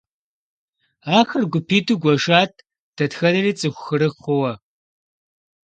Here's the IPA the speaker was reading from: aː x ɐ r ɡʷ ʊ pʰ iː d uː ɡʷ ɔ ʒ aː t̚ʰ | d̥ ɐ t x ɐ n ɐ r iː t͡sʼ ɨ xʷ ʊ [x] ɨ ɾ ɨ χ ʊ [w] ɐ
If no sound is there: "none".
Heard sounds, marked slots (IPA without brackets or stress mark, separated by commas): x, w